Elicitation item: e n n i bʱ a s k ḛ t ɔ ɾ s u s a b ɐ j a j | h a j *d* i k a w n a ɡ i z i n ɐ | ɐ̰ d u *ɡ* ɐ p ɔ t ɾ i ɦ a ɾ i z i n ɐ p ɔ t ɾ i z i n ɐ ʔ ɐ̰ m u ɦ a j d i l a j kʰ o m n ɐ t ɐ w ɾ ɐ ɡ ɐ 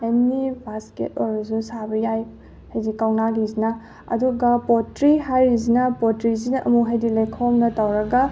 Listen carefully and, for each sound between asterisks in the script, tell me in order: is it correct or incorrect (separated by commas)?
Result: correct, correct